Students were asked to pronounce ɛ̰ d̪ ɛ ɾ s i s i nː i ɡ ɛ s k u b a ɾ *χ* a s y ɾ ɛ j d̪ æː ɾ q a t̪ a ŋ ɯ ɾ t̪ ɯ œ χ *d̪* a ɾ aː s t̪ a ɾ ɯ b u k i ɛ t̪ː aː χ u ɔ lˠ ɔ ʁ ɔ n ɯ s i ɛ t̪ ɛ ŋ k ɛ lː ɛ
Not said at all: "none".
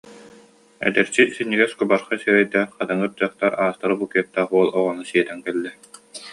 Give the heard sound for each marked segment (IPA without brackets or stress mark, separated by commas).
χ, t̪